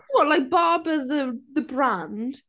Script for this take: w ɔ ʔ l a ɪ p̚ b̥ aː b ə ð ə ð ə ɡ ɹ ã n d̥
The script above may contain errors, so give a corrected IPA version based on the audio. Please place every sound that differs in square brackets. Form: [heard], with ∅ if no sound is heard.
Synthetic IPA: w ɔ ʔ l a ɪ [k̚] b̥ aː b ə ð ə ð ə [b] ɹ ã n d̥